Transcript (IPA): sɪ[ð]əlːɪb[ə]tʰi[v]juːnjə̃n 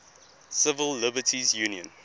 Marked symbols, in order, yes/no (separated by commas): no, yes, no